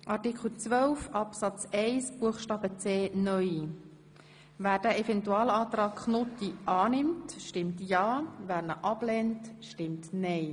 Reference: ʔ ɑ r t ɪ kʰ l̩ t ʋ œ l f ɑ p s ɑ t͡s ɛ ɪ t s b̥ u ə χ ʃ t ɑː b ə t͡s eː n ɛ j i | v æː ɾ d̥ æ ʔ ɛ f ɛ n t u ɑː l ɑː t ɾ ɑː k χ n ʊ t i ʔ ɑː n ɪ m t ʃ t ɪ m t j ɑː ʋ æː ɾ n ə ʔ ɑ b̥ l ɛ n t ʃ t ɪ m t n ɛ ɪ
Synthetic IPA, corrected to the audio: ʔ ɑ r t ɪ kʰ l̩ t͡s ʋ œ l f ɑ p s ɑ t͡s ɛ ɪ s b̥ u ə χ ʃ t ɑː b ə t͡s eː n œ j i | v æː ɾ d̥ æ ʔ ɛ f ɛ n t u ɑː l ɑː t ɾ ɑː k χ n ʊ t i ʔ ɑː n ɪ m t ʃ t ɪ m t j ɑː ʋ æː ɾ n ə ʔ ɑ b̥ l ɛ n t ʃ t ɪ m t n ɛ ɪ